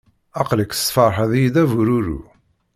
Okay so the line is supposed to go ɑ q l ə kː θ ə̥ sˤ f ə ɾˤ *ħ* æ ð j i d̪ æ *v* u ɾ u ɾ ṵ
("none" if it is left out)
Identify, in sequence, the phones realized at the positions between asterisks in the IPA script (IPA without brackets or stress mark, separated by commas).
ħ, v